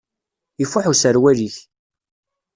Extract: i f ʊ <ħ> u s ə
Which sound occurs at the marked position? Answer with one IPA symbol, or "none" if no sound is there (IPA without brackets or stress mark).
ħ